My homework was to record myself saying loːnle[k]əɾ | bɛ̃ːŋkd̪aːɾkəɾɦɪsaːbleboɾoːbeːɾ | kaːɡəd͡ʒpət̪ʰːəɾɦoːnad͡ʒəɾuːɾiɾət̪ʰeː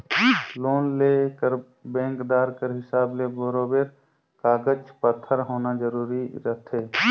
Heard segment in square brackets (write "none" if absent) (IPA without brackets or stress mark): k